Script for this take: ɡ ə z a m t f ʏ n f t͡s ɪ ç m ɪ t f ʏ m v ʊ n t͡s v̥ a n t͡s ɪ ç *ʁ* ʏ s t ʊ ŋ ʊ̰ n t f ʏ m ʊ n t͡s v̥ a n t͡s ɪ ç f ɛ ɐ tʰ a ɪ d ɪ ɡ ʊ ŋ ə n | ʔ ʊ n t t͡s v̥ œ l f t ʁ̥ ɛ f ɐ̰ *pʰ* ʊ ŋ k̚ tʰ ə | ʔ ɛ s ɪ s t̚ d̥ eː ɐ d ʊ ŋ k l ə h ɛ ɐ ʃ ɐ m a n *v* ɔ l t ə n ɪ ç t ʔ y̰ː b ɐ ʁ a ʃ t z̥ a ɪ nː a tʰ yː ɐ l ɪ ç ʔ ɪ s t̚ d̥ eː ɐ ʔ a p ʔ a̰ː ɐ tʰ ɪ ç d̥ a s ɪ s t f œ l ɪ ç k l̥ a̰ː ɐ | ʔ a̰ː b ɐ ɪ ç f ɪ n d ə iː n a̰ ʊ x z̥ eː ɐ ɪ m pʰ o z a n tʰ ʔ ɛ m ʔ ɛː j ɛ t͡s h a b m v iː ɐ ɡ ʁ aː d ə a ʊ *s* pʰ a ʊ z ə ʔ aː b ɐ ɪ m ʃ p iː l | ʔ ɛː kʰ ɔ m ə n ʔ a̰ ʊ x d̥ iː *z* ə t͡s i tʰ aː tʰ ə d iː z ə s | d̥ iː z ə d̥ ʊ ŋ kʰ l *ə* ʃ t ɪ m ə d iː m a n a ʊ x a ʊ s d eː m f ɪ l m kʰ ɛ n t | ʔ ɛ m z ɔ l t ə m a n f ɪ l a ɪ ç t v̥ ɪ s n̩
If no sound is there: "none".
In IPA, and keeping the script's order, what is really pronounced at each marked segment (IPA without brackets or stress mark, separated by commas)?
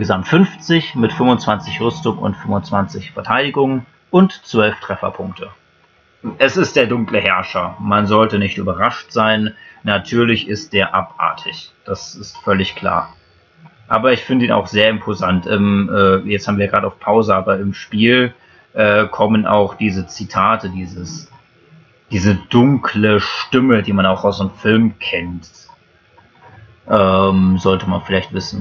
ʁ, pʰ, z, f, z, ə